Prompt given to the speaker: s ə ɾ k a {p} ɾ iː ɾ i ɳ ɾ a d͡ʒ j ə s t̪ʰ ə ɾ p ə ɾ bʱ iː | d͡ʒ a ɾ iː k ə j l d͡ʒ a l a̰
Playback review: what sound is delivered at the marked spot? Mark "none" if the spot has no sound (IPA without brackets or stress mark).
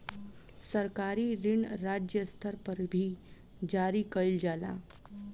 none